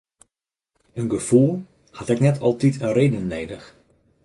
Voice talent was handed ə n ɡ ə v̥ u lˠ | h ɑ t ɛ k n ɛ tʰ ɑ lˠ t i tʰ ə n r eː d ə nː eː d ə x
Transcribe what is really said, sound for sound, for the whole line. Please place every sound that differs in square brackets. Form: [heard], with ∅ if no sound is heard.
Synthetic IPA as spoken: ə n ɡ ə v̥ u lˠ | h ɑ t ɛ k n ɛ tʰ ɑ lˠ t i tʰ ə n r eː d ə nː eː d ə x